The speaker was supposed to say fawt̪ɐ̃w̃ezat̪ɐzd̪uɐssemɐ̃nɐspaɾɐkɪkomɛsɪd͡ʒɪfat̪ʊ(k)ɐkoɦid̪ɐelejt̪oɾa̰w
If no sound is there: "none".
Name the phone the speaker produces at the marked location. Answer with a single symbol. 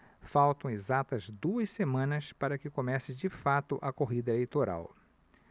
ʔ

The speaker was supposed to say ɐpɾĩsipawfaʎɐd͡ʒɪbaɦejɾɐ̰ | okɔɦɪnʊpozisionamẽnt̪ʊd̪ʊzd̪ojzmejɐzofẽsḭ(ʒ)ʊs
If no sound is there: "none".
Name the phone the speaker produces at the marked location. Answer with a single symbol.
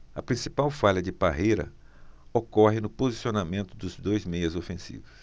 v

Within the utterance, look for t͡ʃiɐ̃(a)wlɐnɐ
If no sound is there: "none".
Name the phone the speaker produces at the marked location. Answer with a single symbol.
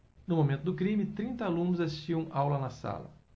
a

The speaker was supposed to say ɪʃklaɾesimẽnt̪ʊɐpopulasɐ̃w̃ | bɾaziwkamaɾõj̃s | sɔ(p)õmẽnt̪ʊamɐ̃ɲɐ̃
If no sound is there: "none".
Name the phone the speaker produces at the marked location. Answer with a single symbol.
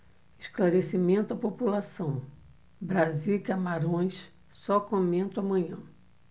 k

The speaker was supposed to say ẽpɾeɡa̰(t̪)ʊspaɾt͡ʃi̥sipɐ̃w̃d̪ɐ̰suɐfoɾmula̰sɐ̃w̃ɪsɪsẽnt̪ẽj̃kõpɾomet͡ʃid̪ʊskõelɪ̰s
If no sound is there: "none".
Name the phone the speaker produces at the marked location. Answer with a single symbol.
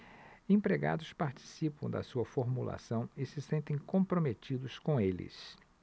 d̪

